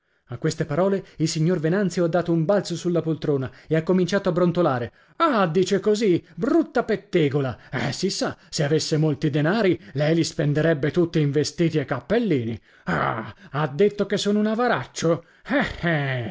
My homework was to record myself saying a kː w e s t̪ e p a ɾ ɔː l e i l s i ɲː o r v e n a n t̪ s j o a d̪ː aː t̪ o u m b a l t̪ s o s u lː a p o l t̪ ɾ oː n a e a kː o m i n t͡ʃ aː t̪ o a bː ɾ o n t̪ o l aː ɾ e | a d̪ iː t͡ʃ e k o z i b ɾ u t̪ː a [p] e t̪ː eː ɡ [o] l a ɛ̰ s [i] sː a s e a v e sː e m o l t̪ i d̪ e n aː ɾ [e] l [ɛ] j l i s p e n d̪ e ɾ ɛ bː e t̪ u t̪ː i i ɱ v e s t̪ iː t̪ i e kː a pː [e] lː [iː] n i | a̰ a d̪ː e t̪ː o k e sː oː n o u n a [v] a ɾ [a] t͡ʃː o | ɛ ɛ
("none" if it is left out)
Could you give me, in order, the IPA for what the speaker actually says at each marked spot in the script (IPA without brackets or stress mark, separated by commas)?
p, o, i, i, ɛ, e, iː, v, a